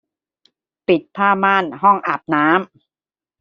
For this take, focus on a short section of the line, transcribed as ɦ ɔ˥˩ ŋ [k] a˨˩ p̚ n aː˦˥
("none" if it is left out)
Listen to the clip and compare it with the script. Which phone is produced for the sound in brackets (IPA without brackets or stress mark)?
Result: ʔ